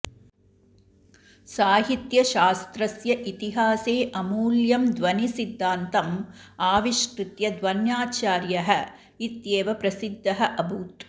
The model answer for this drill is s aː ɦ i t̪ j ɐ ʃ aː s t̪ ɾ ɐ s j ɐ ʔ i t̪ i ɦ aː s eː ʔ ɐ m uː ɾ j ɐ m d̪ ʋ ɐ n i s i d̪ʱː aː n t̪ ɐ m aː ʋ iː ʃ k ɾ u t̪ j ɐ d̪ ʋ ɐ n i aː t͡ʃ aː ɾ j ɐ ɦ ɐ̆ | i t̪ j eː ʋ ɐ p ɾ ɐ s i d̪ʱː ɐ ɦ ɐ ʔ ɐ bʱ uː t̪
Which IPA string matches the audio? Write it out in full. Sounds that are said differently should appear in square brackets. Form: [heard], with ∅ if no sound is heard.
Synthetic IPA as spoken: s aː ɦ i t̪ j ɐ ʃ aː s t̪ ɾ ɐ s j ɐ ʔ i t̪ i ɦ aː s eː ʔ ɐ m uː [l] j ɐ m d̪ ʋ ɐ n i s i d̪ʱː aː n t̪ ɐ m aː ʋ [i] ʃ k ɾ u t̪ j ɐ d̪ ʋ ɐ n [j] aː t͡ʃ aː ɾ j ɐ ɦ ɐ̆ | i t̪ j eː ʋ ɐ p ɾ ɐ s i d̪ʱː ɐ ɦ ɐ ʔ ɐ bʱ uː t̪